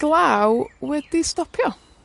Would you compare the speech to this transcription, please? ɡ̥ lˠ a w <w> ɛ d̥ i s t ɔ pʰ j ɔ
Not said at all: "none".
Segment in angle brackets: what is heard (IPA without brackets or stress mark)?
w